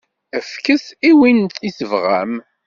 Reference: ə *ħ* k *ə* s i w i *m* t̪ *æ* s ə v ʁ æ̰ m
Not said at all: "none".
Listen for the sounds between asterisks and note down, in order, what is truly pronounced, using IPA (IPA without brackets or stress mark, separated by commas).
f, ə, n, i